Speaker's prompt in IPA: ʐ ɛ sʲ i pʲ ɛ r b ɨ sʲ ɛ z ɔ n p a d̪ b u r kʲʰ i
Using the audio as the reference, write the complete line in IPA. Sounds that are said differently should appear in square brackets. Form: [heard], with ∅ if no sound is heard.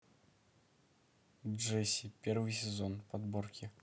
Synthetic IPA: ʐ ɛ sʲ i pʲ ɛ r [v] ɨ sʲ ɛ z ɔ n p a d̪ b [ɔ] r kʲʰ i

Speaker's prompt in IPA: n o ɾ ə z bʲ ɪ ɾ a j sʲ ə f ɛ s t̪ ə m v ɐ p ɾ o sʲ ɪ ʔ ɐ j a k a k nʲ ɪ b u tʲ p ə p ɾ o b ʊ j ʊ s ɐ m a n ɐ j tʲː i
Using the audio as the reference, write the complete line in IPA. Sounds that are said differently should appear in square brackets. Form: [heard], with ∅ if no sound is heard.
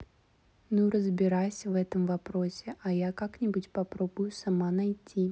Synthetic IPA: n [u] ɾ ə z bʲ ɪ ɾ a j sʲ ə [v] ɛ [∅] t̪ ə m v ɐ p ɾ o sʲ ɪ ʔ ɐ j a k a k nʲ ɪ b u tʲ p [ɐ] p ɾ o b ʊ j ʊ s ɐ m a n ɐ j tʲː i

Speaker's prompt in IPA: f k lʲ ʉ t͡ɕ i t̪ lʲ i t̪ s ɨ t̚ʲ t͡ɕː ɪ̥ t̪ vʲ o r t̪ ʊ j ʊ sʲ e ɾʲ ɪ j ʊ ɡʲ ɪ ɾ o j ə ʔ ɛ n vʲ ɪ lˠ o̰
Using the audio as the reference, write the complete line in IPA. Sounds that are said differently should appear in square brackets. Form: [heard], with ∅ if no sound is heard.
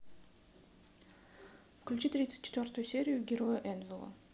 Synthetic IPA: f k lʲ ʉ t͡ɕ i t̪ [ɾʲ] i t̪ s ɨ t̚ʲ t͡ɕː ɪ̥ t̪ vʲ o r t̪ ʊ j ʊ sʲ e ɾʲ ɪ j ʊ ɡʲ ɪ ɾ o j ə ʔ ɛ n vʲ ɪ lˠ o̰

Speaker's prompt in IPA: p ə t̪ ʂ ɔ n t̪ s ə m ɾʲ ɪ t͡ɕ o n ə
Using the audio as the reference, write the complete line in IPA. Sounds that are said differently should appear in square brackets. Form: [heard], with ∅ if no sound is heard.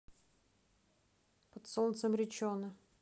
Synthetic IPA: p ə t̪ [s] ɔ n t̪ s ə m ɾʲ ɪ t͡ɕ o n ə

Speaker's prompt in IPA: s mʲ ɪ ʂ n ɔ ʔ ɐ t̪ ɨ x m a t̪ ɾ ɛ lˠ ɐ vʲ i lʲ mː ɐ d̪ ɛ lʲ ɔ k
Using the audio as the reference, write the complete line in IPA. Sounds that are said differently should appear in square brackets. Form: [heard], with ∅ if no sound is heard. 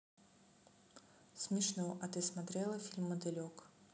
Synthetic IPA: s mʲ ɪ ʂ n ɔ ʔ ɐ t̪ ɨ [s] m a t̪ ɾ ɛ lˠ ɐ [fʲ] i lʲ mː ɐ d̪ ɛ lʲ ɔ k

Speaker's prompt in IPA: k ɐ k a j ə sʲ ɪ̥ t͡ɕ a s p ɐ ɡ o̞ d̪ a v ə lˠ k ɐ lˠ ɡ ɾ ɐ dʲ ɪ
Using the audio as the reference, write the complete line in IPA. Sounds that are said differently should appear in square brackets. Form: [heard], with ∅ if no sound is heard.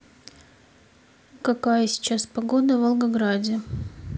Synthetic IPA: k ɐ k a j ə sʲ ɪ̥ t͡ɕ a s p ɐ ɡ o̞ d̪ [ə] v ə lˠ [ɡ] ɐ [∅] ɡ ɾ [a] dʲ ɪ

